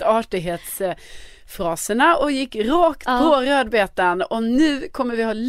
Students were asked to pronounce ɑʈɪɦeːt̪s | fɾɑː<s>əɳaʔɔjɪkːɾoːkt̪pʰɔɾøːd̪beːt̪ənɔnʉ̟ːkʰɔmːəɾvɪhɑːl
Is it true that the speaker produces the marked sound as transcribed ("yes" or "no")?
yes